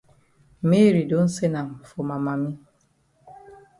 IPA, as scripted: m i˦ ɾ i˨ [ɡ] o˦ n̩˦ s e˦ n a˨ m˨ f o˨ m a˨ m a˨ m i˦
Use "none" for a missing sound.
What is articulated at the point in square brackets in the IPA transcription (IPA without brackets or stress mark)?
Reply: d